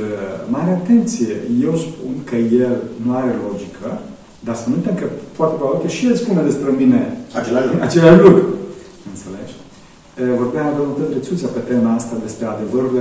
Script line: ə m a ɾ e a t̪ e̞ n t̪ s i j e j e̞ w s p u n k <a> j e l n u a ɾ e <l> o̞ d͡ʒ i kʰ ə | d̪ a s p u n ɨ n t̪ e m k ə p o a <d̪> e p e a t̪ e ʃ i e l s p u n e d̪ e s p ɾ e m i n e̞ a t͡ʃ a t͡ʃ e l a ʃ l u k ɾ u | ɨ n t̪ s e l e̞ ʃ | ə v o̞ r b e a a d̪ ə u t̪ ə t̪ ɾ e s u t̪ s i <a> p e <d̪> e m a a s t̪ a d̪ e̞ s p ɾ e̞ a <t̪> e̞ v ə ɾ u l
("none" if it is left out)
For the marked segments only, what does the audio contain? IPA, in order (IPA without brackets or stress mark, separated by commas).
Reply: ə, l, t̪, a, t̪, d̪